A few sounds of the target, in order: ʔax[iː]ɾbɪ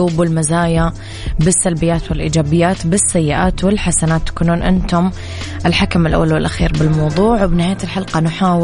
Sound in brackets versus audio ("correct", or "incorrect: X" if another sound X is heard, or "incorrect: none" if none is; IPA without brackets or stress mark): correct